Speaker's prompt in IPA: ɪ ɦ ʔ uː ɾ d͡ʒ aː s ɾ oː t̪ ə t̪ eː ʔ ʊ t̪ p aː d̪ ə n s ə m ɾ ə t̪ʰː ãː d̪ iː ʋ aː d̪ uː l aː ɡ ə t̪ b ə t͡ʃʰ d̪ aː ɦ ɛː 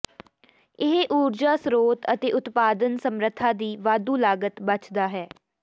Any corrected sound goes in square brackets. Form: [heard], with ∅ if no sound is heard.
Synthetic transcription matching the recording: ɪ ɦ ʔ uː ɾ d͡ʒ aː s ɾ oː t̪ ə t̪ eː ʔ ʊ t̪ p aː d̪ ə n s ə m ɾ ə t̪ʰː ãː d̪ iː ʋ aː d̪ uː l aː ɡ ə t̪ b ə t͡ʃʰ d̪ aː ɦ ɛː